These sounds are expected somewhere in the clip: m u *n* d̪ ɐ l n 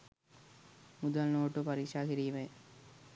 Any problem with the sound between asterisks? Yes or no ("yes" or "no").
yes